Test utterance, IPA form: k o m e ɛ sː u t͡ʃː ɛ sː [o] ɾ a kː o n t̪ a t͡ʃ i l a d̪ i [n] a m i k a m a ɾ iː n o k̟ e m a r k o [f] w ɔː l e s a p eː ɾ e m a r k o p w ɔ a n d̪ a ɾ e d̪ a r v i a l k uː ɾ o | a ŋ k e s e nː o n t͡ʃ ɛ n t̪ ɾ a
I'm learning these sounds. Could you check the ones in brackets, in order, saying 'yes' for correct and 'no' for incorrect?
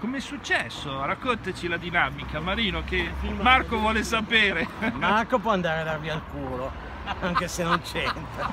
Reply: yes, yes, no

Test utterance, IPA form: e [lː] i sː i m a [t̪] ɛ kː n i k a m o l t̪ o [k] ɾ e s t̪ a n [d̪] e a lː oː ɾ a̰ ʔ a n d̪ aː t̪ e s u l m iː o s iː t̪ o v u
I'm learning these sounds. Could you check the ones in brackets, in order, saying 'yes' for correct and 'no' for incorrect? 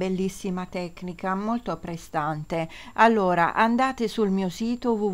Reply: yes, yes, no, no

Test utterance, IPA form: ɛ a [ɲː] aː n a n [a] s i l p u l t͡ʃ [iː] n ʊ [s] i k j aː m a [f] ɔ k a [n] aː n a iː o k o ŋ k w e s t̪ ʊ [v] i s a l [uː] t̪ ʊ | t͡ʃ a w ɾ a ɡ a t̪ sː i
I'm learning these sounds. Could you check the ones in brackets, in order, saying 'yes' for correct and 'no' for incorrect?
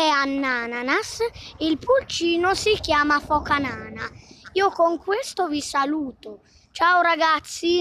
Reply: no, yes, yes, yes, yes, yes, yes, yes

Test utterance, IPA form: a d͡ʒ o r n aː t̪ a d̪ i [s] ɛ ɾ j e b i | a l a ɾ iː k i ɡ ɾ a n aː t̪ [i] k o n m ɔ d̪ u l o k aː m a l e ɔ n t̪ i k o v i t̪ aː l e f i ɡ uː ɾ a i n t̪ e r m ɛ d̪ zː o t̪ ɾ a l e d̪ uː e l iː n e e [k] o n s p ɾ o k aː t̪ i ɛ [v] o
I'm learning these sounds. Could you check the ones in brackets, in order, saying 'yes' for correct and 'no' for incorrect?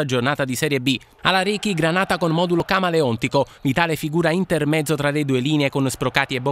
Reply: yes, no, yes, no

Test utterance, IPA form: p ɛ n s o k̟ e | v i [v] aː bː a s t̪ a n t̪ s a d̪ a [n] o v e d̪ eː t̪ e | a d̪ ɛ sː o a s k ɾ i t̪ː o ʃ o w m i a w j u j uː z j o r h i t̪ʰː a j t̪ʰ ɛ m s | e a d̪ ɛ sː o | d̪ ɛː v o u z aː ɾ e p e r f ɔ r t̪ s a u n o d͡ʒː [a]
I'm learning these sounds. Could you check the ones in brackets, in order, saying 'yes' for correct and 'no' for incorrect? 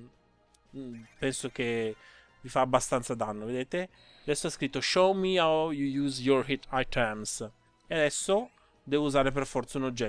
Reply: no, no, no

